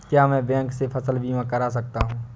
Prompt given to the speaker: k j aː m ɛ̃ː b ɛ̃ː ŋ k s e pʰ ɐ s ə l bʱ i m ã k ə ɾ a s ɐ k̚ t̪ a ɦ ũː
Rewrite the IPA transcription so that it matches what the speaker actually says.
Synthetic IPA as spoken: k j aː m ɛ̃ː b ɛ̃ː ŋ k s e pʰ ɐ s ə l bʱ i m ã k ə ɾ a s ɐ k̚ t̪ a ɦ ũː